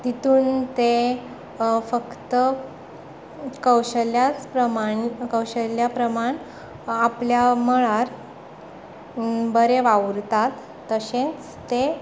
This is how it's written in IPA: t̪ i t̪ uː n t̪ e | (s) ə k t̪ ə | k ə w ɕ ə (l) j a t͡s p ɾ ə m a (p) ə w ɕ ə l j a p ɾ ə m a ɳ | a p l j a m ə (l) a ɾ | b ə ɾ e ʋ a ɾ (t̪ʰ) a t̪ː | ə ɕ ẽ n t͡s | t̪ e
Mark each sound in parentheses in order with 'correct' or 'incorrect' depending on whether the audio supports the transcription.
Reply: incorrect, correct, incorrect, incorrect, incorrect

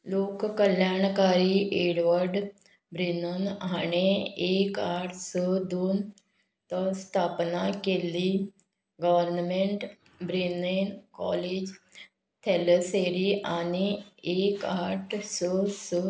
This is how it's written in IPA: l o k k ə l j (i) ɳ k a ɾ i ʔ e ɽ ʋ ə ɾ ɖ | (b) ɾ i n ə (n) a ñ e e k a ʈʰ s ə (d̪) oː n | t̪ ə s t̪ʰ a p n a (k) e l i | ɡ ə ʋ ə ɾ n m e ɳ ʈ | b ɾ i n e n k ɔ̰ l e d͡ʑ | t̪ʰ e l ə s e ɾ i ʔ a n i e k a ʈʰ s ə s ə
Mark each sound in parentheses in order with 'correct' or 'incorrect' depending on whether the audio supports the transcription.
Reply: incorrect, correct, correct, correct, correct

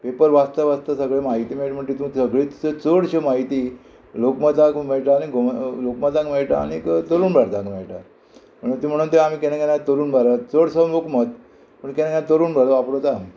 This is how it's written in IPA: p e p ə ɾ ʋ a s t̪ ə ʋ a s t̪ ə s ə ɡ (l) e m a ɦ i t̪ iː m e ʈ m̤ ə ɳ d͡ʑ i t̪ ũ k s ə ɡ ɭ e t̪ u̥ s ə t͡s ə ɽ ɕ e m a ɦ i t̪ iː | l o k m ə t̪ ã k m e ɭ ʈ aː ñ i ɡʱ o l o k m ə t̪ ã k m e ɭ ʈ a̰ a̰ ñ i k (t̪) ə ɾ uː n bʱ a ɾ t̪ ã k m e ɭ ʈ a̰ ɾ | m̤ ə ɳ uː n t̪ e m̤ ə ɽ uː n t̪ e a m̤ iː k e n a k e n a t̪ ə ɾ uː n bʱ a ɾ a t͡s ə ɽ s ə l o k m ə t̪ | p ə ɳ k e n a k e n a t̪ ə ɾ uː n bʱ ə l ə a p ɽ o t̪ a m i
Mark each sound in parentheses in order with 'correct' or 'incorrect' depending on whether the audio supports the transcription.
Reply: incorrect, correct

